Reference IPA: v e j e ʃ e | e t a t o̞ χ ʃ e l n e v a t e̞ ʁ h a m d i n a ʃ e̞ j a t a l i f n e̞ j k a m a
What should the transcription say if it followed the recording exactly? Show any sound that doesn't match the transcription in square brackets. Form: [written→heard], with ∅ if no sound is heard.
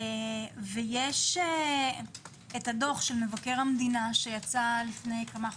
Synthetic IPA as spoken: v e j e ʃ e | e t a [t→d] o̞ χ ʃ e l [n→m] e v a [t→k] e̞ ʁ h a m d i n a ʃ e̞ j a [t→t͡s] a l i f n e̞ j k a m a